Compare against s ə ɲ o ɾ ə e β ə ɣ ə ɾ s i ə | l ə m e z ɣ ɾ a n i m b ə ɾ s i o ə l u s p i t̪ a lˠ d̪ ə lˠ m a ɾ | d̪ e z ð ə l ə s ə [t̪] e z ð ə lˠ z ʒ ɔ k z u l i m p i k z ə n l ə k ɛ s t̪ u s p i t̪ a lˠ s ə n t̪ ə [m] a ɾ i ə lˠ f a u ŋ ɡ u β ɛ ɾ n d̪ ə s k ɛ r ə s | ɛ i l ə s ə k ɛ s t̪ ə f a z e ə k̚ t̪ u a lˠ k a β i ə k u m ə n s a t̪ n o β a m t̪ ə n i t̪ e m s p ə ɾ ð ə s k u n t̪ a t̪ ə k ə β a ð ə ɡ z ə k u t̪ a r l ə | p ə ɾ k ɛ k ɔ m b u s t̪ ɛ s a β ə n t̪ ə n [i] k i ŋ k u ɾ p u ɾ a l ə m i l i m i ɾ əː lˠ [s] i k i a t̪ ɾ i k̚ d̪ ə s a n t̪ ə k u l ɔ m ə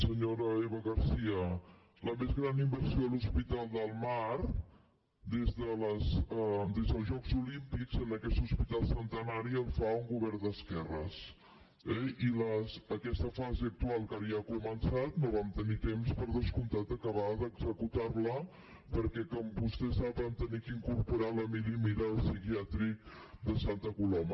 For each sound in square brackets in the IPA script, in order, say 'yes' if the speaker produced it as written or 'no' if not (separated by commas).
no, no, yes, yes